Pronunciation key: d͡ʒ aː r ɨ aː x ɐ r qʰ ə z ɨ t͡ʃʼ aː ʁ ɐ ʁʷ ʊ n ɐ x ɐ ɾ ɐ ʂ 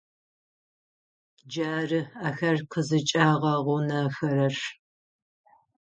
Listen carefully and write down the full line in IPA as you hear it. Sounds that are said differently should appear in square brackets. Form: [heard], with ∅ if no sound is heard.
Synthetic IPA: d͡ʒ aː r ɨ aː x ɐ r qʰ ə z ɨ t͡ʃʼ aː ʁ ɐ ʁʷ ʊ n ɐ [f] ɐ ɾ ɐ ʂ

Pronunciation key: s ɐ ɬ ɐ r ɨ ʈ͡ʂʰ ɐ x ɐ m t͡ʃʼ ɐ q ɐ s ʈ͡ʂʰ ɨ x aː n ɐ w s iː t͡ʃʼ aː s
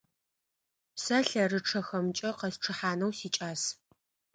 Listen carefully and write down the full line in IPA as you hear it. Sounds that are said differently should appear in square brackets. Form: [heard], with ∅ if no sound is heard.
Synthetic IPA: s ɐ ɬ ɐ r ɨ ʈ͡ʂʰ ɐ x ɐ m t͡ʃʼ ɐ q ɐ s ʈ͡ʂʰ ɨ [ħ] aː n ɐ w s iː t͡ʃʼ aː s

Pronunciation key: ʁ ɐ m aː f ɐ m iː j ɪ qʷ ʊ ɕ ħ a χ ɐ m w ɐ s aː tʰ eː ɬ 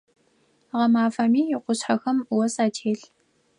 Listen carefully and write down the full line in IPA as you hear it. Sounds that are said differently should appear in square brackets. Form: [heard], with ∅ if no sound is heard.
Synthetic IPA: ʁ ɐ m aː f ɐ m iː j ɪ qʷ ʊ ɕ ħ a [x] ɐ m w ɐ s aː tʰ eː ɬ

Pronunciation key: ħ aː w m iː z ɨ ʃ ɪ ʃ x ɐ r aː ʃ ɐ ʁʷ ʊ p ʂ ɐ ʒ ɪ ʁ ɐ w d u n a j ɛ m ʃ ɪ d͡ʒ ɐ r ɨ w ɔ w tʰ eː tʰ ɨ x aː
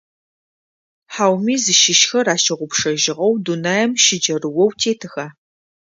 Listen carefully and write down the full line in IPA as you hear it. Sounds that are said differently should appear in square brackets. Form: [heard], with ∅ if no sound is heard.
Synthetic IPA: ħ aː w m iː z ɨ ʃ ɪ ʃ x ɐ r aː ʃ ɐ ʁʷ ʊ p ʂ ɐ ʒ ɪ ʁ ɐ w d u n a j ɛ m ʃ ɪ d͡ʒ ɐ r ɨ w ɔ w tʰ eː tʰ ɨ x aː

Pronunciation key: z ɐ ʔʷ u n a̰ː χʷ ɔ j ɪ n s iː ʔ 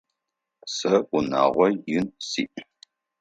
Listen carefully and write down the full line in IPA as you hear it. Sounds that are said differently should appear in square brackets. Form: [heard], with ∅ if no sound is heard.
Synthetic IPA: [s] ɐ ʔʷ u n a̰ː [ʁʷ] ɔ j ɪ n s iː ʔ

